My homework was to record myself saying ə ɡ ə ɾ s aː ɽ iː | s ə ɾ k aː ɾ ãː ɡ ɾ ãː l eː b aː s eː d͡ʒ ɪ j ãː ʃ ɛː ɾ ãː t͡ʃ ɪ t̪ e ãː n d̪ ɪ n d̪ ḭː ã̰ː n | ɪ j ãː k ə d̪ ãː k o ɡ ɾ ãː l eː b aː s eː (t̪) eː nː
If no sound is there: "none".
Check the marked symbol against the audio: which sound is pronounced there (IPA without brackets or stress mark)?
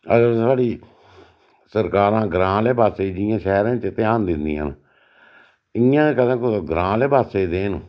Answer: d̪